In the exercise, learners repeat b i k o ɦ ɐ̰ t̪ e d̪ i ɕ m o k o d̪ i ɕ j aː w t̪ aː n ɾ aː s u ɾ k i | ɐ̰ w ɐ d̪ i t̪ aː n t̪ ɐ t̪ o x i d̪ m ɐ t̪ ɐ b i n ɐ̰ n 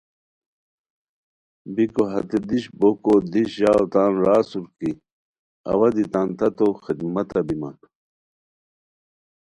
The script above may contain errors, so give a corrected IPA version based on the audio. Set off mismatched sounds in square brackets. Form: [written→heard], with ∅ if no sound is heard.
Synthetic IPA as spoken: b i k o ɦ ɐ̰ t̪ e d̪ i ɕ [m→b] o k o d̪ i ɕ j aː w t̪ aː n ɾ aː s u ɾ k i | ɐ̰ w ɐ d̪ i t̪ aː n t̪ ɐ t̪ o x i d̪ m ɐ t̪ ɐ b i [n→m] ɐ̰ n

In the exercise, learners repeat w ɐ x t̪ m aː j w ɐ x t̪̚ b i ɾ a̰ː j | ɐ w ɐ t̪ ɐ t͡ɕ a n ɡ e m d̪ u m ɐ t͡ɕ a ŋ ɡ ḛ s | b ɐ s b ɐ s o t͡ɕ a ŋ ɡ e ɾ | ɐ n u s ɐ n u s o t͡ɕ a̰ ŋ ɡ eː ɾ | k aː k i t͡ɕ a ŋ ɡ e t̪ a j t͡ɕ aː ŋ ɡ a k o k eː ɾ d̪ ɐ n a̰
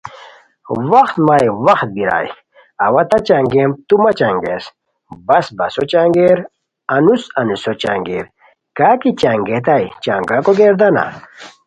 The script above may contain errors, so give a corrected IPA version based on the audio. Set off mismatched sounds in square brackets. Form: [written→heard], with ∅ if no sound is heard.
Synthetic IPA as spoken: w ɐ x t̪ m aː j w ɐ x t̪̚ b i ɾ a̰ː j | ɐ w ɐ t̪ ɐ t͡ɕ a [n→ŋ] ɡ e m [d̪→t̪] u m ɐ t͡ɕ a ŋ ɡ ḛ s | b ɐ s b ɐ s o t͡ɕ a ŋ ɡ e ɾ | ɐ n u s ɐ n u s o t͡ɕ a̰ ŋ ɡ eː ɾ | k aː k i t͡ɕ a ŋ ɡ e t̪ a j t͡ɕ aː ŋ ɡ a k o [k→ɡ] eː ɾ d̪ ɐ n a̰

